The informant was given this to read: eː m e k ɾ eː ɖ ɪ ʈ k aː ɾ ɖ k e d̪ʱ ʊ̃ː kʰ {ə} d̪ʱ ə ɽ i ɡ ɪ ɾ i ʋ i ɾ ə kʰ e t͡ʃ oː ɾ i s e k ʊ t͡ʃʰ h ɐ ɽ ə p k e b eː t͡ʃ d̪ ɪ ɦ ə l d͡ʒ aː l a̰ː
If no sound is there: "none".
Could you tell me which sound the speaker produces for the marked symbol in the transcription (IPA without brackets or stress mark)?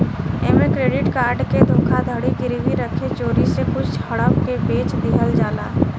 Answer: a